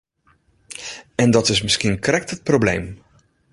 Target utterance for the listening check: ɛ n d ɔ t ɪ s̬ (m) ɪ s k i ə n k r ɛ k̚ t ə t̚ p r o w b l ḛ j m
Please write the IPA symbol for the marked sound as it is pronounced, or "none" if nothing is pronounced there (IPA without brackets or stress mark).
m